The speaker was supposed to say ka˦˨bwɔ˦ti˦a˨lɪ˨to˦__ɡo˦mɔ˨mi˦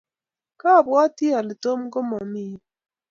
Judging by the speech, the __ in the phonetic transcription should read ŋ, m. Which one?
m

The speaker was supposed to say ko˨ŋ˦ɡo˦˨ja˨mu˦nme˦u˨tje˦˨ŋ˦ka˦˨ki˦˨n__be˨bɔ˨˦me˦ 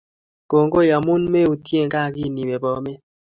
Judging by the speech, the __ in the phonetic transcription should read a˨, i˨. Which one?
i˨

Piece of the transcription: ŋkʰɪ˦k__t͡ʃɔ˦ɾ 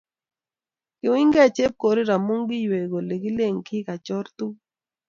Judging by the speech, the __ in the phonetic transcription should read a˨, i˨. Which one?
a˨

